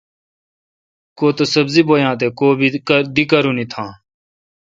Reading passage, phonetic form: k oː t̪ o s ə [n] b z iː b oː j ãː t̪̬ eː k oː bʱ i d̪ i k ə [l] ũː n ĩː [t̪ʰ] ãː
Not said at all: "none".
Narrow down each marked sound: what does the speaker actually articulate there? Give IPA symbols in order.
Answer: none, ɾ, t̪ʰ

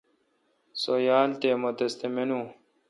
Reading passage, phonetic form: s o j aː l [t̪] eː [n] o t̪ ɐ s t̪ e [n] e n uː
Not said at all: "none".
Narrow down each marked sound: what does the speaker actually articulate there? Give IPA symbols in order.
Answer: t̪, m, m

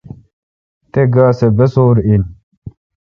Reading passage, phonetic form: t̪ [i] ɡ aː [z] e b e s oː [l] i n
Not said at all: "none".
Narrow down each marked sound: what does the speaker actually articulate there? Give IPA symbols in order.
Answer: e, s, ɾ

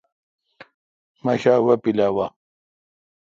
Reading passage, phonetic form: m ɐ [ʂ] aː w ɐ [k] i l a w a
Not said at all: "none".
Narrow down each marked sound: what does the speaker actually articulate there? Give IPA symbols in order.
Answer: ɕ, p

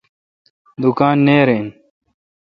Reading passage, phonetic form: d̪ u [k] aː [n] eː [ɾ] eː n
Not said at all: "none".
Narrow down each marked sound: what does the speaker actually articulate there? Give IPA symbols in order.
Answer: k, nː, ɾ

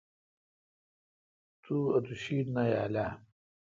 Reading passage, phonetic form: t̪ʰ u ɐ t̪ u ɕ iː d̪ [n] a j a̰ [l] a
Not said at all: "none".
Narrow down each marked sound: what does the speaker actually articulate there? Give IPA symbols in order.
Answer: n, l

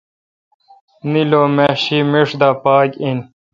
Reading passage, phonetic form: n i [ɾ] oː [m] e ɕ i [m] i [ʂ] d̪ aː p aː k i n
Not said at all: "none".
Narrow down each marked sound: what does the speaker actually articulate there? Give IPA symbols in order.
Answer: l, m, m, ʂ

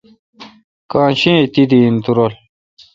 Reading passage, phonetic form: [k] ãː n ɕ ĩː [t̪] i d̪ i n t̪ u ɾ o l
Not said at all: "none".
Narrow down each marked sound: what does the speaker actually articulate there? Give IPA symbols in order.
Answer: k, t̪

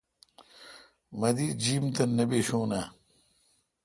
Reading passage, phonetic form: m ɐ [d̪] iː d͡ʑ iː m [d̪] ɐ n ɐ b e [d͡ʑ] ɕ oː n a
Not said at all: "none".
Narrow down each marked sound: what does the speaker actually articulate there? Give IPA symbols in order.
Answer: d̪, t̪, none

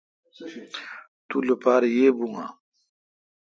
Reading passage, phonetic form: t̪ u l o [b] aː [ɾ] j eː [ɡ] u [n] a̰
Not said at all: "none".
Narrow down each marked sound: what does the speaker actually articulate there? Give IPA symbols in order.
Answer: p, ɾ, b, ŋ

